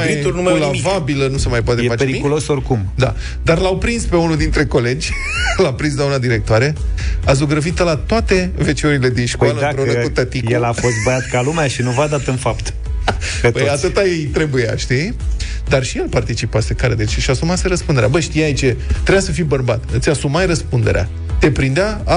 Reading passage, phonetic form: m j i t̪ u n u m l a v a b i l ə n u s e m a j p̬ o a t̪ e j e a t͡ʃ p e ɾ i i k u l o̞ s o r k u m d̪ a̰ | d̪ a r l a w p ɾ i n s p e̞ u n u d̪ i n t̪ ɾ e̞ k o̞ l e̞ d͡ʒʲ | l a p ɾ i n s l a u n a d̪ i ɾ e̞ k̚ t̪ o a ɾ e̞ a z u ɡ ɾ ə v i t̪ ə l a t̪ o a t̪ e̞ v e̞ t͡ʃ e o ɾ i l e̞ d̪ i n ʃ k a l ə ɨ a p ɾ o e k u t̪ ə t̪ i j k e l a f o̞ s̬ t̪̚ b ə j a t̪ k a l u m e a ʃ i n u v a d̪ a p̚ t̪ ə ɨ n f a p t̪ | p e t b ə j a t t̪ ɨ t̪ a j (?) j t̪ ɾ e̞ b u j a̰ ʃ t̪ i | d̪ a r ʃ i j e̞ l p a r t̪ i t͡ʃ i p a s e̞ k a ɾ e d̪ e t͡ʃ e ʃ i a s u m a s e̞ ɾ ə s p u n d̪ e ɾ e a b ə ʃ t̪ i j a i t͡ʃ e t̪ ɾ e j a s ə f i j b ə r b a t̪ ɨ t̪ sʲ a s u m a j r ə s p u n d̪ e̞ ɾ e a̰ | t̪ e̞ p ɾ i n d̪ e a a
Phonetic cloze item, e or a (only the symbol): e